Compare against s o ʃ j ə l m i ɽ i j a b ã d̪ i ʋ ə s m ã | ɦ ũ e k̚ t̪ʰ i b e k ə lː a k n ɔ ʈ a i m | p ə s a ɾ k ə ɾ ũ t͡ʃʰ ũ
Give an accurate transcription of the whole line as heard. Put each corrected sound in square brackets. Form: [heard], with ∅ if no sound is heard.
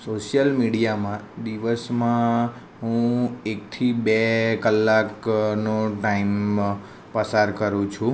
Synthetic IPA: s o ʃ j ə l m i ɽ i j a [m] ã d̪ i ʋ ə s m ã | ɦ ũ e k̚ t̪ʰ i b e k ə lː a k n [o] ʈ a i m | p ə s a ɾ k ə ɾ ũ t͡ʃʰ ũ